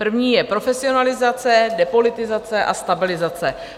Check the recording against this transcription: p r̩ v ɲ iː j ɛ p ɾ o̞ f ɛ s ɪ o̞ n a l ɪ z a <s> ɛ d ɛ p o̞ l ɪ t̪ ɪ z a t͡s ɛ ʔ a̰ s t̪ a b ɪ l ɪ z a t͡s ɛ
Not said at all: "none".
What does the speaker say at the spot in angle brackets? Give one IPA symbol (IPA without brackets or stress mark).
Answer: t͡s